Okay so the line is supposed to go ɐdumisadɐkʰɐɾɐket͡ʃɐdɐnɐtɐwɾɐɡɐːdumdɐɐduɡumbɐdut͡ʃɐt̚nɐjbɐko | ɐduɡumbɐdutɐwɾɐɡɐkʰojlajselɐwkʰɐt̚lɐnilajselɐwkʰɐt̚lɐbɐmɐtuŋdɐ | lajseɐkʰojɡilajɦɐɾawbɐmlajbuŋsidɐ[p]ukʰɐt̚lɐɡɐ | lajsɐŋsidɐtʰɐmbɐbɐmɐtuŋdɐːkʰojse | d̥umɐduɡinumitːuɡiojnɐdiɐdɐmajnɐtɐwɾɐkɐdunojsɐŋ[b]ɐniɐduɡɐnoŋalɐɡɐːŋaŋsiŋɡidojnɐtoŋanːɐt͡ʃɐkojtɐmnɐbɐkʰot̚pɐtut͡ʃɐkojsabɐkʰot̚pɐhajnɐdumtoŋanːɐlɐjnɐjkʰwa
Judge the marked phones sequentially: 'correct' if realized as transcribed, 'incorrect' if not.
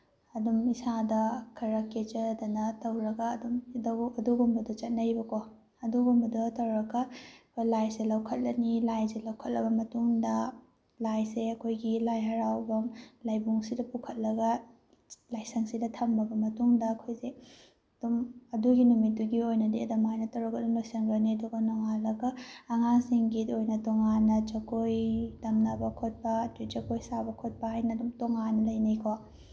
correct, incorrect: ɡ

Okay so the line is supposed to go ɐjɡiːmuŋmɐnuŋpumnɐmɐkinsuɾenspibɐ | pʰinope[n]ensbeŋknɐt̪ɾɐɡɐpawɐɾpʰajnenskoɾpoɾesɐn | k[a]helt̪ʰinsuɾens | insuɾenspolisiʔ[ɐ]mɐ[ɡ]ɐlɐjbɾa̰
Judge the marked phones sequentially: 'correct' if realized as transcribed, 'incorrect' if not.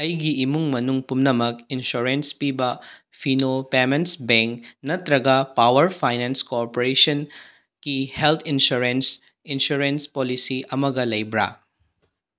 incorrect: m, incorrect: i, correct, correct

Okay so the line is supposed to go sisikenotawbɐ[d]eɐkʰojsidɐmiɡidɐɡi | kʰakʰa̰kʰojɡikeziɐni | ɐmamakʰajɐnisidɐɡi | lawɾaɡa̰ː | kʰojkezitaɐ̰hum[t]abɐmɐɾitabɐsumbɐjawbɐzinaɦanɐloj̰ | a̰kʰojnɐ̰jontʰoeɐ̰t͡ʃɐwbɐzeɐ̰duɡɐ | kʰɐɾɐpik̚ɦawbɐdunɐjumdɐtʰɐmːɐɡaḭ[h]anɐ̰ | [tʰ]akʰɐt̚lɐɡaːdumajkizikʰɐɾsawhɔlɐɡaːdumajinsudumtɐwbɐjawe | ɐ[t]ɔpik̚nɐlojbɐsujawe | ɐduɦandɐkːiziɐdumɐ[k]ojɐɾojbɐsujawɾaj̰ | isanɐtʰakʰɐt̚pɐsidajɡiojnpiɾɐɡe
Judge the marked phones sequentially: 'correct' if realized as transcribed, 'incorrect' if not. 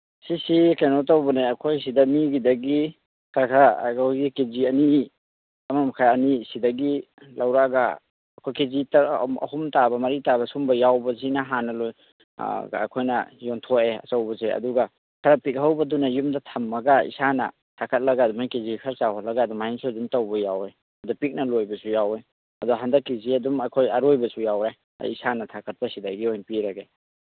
incorrect: n, correct, incorrect: s, correct, incorrect: d, incorrect: kʰ

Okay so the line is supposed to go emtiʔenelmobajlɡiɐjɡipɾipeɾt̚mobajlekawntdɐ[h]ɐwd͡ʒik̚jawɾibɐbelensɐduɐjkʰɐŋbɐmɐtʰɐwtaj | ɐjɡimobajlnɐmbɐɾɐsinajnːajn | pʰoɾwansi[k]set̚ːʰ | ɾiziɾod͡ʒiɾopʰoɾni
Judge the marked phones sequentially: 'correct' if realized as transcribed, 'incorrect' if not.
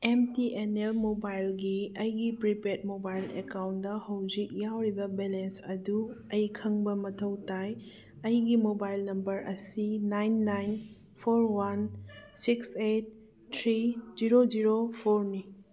correct, correct

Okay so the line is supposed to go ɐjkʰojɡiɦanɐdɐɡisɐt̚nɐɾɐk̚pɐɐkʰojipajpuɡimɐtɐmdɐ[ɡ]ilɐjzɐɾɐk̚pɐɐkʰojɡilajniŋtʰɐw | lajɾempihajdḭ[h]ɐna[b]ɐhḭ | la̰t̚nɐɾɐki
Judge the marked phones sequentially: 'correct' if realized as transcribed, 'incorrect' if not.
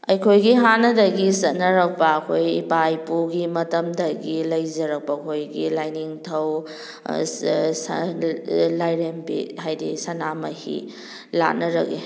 correct, incorrect: s, incorrect: m

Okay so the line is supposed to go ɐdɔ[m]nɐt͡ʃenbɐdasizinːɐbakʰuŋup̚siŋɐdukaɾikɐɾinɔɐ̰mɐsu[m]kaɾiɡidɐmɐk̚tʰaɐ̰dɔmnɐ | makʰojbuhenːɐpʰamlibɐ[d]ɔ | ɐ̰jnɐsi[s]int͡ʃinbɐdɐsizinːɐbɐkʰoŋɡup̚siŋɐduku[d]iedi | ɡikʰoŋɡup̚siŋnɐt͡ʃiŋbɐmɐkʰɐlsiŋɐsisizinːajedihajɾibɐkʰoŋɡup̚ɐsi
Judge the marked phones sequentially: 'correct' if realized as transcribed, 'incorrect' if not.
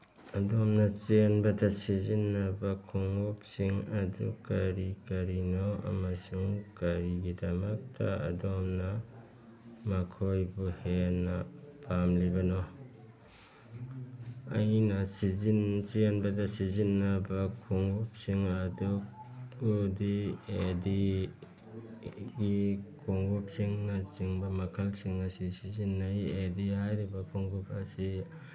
correct, incorrect: ŋ, incorrect: n, incorrect: z, correct

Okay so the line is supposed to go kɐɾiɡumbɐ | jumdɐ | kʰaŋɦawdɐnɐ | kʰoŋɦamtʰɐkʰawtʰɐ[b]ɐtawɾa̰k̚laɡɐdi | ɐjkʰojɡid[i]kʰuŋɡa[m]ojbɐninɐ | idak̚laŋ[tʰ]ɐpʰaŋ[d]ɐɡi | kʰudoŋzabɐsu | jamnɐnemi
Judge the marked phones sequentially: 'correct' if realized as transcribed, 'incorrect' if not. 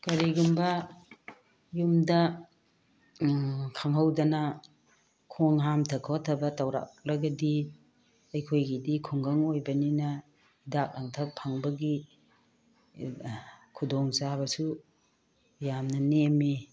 correct, correct, incorrect: ŋ, correct, incorrect: b

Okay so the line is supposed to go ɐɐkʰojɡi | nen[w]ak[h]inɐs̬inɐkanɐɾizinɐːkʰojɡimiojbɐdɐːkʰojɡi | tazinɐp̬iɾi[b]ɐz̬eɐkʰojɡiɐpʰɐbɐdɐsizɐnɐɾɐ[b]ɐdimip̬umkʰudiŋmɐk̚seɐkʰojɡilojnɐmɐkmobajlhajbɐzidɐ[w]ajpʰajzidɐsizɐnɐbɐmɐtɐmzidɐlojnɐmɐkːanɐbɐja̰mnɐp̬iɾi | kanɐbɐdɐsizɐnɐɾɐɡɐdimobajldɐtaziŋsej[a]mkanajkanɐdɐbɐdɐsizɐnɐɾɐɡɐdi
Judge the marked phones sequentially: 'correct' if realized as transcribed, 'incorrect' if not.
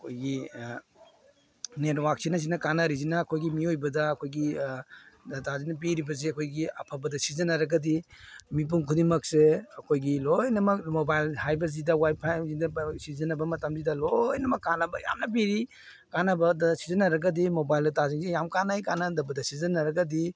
correct, incorrect: s, correct, incorrect: ɡ, correct, correct

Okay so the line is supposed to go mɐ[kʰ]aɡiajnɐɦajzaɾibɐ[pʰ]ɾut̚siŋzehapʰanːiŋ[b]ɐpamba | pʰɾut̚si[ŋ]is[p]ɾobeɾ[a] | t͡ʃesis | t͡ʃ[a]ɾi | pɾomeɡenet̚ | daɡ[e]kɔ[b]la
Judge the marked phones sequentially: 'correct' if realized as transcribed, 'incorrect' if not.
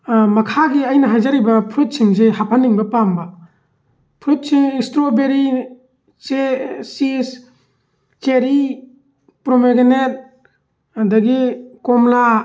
correct, correct, correct, correct, incorrect: t, incorrect: i, incorrect: e, incorrect: i, incorrect: m

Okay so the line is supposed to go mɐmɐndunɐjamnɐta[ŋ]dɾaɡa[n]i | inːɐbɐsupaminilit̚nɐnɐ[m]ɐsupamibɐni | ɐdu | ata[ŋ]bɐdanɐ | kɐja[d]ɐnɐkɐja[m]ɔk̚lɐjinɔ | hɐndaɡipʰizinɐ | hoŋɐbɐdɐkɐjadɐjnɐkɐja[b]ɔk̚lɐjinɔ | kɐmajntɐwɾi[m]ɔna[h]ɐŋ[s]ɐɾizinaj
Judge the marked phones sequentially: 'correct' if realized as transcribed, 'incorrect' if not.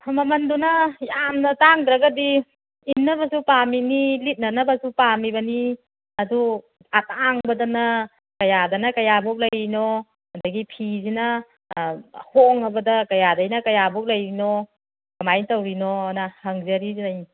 correct, incorrect: d, incorrect: b, correct, correct, incorrect: b, correct, incorrect: n, correct, incorrect: z

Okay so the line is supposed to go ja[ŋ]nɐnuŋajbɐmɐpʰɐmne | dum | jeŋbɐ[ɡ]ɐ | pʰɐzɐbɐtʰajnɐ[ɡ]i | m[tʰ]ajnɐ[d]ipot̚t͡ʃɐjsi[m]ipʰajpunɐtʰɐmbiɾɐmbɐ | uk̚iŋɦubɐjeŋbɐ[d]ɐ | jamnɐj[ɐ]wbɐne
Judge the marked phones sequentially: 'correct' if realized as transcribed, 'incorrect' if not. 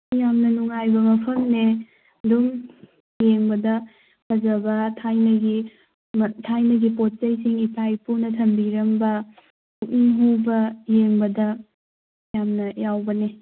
incorrect: m, incorrect: d, correct, correct, incorrect: ɡ, incorrect: ŋ, correct, incorrect: a

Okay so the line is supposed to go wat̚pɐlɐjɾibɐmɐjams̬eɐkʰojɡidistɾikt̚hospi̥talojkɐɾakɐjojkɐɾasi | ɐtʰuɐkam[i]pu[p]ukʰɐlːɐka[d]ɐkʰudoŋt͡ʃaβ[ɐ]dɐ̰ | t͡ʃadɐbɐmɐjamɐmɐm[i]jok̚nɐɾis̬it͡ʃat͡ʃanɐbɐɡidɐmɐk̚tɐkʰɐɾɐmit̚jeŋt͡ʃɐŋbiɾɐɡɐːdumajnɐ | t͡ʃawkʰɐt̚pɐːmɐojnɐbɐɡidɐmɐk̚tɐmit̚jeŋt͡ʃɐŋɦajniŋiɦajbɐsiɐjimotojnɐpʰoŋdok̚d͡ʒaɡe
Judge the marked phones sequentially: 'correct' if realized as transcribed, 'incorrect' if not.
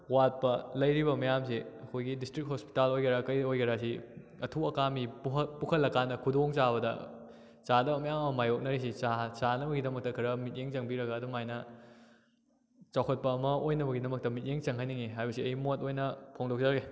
correct, correct, incorrect: n, correct, incorrect: a

